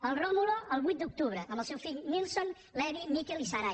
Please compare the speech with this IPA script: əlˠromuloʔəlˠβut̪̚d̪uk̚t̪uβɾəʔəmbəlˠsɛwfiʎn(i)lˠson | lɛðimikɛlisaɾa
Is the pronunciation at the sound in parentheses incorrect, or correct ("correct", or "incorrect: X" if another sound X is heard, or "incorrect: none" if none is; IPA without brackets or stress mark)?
correct